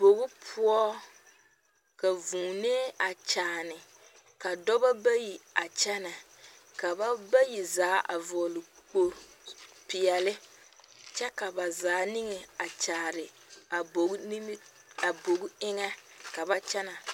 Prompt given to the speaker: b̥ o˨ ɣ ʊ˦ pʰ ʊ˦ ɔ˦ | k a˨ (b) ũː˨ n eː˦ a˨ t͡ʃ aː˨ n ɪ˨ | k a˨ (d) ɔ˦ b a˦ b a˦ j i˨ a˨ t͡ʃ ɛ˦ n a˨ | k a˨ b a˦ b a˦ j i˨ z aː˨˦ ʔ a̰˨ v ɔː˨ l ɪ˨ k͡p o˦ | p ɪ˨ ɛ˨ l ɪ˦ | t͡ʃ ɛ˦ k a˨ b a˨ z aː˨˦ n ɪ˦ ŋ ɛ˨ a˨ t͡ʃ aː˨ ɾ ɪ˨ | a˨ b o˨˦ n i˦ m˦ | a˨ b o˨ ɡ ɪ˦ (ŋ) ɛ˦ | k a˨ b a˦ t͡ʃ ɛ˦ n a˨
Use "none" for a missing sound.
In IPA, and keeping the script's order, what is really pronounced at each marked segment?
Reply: v, d, ŋ

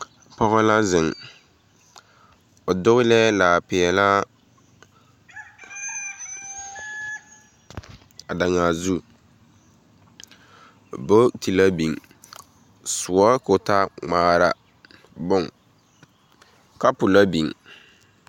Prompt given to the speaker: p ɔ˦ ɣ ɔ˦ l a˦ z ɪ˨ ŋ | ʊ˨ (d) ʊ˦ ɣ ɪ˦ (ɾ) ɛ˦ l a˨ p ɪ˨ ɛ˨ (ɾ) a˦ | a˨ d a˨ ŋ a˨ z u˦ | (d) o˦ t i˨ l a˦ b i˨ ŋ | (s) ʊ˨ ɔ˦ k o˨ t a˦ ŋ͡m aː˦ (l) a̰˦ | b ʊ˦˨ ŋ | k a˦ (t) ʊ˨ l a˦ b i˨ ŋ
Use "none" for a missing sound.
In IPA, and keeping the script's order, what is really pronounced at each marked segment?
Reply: d, l, l, b, s, ɾ, p

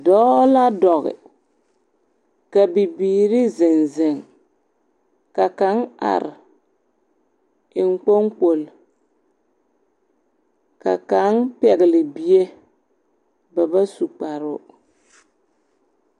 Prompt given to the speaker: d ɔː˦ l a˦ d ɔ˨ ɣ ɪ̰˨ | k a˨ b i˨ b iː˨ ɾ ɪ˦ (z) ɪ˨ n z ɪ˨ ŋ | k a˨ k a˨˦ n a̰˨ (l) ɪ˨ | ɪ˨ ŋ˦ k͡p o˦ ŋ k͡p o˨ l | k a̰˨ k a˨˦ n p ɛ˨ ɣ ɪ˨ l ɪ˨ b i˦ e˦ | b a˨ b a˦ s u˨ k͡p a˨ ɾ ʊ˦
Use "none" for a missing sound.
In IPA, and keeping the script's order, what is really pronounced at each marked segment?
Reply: z, ɾ

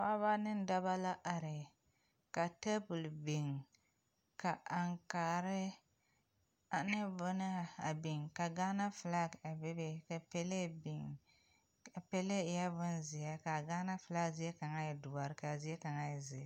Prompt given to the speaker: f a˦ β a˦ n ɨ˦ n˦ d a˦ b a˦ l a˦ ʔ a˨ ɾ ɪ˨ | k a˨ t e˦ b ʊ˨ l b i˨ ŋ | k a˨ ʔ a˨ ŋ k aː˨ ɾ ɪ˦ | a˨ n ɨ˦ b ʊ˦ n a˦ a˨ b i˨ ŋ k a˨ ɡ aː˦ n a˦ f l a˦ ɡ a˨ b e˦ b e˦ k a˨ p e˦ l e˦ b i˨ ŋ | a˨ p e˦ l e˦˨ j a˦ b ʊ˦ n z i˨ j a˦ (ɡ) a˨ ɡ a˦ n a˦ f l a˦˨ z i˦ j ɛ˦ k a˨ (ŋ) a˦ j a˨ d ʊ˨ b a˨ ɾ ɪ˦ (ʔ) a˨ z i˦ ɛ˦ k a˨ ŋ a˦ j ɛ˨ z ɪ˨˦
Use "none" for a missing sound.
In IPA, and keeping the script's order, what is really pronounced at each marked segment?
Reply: k, ŋ, k

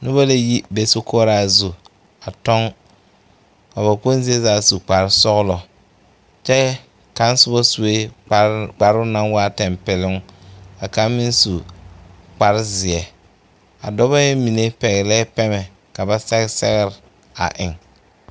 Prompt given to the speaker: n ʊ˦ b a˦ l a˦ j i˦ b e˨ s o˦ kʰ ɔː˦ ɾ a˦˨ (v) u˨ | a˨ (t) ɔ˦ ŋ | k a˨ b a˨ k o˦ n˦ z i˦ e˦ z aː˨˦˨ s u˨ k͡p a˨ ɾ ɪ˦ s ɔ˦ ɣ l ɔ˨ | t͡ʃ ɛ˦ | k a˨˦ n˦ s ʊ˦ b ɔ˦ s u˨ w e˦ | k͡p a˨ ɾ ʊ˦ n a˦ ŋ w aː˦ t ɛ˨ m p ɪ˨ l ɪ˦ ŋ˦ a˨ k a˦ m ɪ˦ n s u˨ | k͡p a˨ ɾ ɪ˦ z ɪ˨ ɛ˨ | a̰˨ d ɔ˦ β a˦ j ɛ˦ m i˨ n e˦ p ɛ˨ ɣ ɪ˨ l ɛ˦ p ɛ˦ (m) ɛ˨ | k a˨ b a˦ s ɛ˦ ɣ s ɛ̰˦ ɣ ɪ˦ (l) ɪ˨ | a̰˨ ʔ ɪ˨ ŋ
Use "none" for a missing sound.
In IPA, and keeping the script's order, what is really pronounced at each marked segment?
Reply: z, t, m, ɾ

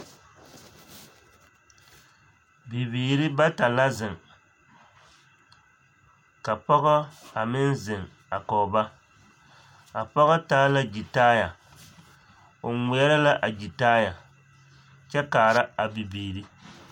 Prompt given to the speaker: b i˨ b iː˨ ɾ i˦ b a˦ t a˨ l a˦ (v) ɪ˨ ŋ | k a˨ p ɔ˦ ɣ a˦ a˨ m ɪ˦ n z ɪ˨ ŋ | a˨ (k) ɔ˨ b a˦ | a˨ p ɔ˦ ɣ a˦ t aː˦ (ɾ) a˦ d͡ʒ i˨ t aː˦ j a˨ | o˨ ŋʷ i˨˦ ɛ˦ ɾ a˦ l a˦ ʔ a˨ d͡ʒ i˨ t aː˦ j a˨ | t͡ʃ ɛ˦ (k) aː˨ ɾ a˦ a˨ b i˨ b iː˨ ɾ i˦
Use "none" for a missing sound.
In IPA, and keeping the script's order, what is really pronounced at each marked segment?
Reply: z, k, l, k

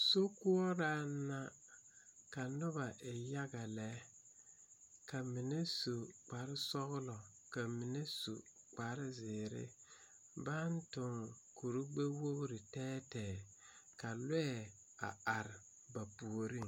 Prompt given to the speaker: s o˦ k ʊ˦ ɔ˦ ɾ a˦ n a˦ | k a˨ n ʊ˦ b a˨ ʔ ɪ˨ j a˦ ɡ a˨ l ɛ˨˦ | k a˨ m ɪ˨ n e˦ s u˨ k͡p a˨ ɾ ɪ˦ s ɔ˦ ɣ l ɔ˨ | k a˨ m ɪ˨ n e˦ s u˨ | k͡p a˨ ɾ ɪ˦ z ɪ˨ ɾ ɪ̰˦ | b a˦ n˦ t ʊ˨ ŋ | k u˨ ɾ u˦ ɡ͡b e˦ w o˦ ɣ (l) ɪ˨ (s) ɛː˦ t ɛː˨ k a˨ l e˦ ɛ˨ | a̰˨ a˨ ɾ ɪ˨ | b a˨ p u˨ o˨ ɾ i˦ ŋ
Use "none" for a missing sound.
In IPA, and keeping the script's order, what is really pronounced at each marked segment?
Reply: ɾ, t

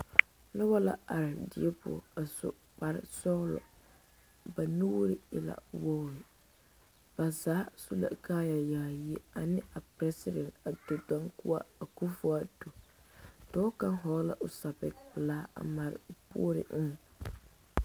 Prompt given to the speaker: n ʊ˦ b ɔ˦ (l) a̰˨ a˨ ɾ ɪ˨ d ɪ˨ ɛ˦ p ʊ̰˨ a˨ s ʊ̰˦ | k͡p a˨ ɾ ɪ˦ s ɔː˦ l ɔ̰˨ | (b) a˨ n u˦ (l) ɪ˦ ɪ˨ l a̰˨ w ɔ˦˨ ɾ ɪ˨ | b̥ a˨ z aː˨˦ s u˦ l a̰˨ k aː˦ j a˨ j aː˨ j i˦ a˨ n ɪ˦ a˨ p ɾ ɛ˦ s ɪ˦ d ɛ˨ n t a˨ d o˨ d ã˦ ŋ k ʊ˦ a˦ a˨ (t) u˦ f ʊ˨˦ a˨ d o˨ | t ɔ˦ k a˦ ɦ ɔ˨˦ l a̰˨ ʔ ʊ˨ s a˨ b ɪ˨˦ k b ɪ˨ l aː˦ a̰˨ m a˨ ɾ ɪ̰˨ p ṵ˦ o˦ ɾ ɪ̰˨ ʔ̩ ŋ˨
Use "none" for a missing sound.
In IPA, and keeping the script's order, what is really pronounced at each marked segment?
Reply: l, b, ɾ, k

